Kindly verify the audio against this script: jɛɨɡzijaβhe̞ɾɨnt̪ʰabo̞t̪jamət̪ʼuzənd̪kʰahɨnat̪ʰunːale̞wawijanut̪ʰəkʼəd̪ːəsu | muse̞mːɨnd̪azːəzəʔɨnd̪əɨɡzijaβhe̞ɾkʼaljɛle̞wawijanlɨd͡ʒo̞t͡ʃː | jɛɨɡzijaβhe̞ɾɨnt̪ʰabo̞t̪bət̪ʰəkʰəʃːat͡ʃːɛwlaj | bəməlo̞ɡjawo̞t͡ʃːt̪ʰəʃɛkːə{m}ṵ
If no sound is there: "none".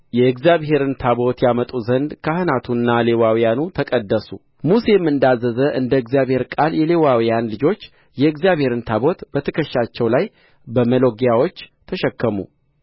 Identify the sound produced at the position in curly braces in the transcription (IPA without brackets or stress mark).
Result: m